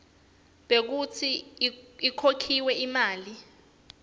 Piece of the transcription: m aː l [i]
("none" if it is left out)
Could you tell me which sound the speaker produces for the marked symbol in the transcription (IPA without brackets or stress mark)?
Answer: i